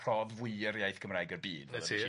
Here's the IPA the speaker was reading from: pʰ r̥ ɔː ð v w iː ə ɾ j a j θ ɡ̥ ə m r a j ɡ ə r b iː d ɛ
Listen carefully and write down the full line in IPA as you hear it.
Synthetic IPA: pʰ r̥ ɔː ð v w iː ə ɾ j a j θ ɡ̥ ə m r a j ɡ ə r b iː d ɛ